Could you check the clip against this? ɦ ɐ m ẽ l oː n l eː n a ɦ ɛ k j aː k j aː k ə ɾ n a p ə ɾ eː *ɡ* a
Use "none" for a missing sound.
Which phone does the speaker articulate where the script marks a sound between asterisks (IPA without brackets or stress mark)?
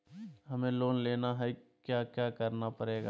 ɡ